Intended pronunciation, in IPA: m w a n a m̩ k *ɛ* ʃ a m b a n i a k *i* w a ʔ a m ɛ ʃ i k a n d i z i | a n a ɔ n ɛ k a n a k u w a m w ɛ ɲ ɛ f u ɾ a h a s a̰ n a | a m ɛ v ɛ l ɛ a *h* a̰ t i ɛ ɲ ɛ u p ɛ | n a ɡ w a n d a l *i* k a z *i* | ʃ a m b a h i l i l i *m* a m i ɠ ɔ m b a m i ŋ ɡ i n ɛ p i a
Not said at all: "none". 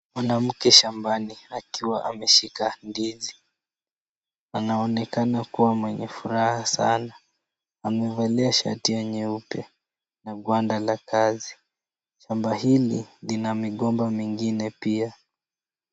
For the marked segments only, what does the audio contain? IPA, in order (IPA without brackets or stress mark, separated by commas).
ɛ, i, ʃ, a, i, n